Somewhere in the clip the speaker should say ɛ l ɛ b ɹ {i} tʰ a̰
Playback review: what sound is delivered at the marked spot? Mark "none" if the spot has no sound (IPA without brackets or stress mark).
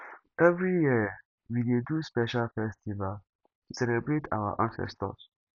e